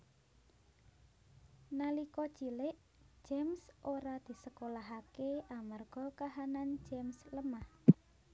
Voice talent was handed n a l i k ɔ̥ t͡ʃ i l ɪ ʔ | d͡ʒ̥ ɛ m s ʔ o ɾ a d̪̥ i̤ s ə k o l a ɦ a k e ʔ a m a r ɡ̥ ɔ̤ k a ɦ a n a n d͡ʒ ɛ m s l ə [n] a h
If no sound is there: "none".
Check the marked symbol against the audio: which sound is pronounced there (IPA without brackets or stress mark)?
m